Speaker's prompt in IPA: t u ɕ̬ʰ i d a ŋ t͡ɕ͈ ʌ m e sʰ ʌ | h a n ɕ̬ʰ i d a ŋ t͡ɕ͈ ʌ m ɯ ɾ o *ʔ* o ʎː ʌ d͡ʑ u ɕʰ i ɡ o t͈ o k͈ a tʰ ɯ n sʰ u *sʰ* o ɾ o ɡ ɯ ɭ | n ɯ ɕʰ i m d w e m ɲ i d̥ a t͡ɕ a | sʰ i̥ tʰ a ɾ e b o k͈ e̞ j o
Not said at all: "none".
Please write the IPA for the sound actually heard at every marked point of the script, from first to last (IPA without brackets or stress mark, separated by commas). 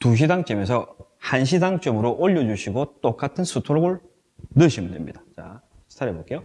ʔ, tʰ